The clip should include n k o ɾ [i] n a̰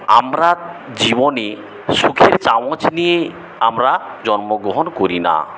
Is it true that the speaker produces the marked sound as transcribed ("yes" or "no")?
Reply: yes